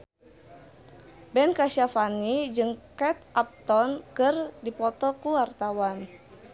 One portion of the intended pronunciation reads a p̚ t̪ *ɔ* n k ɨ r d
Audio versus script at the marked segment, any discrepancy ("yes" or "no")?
no